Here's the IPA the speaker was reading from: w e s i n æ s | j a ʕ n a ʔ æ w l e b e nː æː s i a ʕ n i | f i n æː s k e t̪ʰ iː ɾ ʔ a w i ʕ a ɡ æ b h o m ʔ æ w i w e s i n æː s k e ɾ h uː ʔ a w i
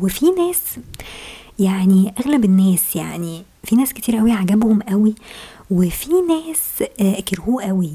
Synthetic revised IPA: w e f i n æː s | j a ʕ n i ʔ æ ɣ l æ b e nː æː s j a ʕ n i | f i n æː s k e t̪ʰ iː ɾ ʔ æ w i ʕ a ɡ æ b h o m ʔ æ w i w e f i n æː s k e ɾ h uː ʔ æ w i